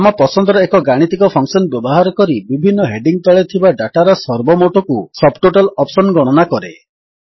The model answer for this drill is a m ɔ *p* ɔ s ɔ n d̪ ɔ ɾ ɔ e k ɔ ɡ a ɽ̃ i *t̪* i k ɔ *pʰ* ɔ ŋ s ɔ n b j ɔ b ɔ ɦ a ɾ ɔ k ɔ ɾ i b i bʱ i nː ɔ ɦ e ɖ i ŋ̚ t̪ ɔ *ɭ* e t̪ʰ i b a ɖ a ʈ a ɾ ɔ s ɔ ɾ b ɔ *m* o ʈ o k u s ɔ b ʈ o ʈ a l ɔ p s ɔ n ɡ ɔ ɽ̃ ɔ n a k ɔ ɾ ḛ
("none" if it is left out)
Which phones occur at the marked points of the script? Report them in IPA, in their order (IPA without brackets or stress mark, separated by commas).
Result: p, t̪, pʰ, ɭ, m